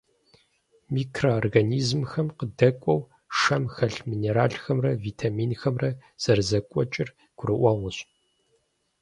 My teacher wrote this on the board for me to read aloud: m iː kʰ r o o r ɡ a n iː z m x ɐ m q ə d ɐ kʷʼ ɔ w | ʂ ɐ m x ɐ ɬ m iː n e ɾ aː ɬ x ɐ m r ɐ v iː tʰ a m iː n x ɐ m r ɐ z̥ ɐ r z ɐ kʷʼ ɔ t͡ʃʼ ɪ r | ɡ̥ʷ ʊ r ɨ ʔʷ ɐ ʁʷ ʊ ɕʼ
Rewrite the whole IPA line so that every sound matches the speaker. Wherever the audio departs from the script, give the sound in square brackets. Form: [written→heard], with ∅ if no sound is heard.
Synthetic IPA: m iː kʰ r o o r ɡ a n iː z m x ɐ m q ə d ɐ kʷʼ ɔ w | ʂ ɐ m x ɐ ɬ m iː n e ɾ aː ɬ x ɐ m r ɐ v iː tʰ a m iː n x ɐ m r ɐ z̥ ɐ r z ɐ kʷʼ ɔ t͡ʃʼ ɪ r | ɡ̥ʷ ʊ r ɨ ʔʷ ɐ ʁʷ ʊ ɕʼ

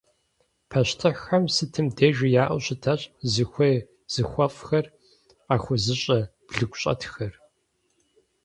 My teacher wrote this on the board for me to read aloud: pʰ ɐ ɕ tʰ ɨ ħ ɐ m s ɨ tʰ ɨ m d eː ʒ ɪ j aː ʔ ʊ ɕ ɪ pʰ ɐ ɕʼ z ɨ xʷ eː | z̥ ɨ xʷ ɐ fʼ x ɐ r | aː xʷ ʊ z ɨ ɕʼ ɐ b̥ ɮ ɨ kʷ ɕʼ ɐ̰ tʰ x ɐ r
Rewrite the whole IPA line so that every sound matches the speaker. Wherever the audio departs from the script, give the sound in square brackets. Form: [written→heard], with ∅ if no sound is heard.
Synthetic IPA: pʰ ɐ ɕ tʰ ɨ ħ ɐ m s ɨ tʰ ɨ m d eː ʒ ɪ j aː ʔ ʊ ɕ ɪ [pʰ→tʰ] ɐ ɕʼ z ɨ xʷ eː | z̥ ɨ xʷ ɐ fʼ x ɐ r | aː xʷ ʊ z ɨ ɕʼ ɐ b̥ ɮ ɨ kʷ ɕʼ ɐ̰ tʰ x ɐ r

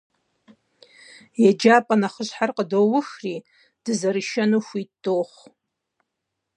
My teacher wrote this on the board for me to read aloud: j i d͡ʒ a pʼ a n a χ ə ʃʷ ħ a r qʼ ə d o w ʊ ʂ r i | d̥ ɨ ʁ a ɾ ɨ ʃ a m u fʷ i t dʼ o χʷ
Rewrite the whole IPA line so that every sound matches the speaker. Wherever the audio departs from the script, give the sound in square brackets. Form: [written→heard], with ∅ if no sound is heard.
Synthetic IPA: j [i→a] d͡ʒ a pʼ a n a χ ə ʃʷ ħ a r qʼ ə d o w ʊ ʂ r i | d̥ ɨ [ʁ→z] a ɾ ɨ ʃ a [m→n] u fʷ i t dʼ o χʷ

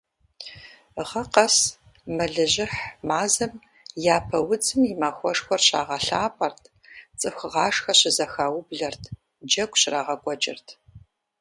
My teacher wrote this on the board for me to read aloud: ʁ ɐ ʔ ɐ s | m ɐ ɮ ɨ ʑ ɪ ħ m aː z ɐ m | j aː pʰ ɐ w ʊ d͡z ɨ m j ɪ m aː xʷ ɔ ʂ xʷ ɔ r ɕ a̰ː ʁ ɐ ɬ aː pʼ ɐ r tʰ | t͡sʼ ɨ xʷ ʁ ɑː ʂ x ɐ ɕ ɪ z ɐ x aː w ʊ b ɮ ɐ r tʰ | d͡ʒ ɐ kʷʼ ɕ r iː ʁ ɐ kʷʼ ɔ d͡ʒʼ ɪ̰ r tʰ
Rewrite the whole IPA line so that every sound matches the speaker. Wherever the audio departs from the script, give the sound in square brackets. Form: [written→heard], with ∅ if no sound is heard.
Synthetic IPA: ʁ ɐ [ʔ→q] ɐ s | m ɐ ɮ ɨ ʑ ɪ ħ m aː z ɐ m | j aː pʰ ɐ w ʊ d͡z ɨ m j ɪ m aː xʷ ɔ ʂ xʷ ɔ r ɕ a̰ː ʁ ɐ ɬ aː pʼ ɐ r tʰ | t͡sʼ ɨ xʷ ʁ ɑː ʂ x ɐ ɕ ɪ z ɐ x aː w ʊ b ɮ ɐ r tʰ | d͡ʒ ɐ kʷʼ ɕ r [iː→aː] ʁ ɐ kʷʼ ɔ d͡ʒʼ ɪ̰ r tʰ

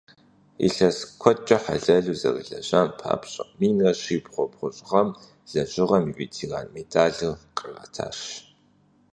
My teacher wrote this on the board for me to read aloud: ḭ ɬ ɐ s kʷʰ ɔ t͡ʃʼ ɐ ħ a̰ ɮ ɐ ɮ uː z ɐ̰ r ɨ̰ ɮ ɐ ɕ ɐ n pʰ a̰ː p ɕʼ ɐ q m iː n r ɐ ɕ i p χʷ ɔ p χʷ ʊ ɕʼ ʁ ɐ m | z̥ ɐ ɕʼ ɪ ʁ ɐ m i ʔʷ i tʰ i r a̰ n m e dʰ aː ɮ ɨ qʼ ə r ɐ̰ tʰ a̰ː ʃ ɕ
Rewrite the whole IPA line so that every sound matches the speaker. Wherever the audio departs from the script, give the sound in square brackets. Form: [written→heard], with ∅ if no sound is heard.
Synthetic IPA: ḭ ɬ ɐ s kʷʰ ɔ t͡ʃʼ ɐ ħ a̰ ɮ ɐ ɮ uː z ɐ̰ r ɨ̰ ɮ ɐ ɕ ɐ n pʰ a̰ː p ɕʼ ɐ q m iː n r ɐ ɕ i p χʷ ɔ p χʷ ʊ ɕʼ ʁ ɐ m | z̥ ɐ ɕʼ ɪ ʁ ɐ m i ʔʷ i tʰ i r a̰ n m e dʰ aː ɮ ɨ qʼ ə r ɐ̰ tʰ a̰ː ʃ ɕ

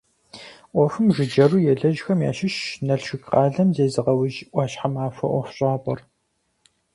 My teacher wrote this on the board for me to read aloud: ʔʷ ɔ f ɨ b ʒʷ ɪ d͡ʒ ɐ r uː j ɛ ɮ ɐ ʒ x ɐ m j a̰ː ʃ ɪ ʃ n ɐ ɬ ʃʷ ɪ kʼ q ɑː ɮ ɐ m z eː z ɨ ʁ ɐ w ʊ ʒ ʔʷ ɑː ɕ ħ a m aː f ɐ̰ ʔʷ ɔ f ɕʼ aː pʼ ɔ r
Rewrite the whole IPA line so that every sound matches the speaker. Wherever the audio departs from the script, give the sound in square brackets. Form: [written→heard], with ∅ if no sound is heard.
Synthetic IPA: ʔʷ ɔ f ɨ [b→m] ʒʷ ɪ d͡ʒ ɐ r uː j ɛ ɮ ɐ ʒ x ɐ m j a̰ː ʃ ɪ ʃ n ɐ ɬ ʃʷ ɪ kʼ q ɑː ɮ ɐ m z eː z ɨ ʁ ɐ w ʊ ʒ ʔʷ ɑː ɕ ħ a m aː f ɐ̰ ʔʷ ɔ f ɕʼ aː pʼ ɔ r

